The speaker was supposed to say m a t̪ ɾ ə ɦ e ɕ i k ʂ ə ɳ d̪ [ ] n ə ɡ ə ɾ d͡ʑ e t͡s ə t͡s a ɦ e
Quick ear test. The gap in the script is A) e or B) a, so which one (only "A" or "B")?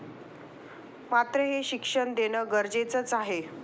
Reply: A